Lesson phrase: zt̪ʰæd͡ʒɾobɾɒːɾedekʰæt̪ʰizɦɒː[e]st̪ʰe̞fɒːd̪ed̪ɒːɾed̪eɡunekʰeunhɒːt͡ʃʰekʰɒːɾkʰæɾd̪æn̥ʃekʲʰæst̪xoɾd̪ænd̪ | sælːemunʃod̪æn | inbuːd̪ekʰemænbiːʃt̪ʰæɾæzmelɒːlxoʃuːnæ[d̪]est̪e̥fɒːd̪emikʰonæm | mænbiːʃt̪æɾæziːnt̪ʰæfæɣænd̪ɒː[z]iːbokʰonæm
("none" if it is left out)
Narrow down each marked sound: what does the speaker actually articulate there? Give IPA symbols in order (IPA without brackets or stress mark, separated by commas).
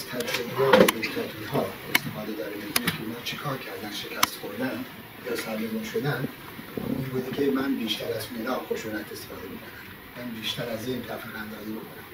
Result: e, t̪, z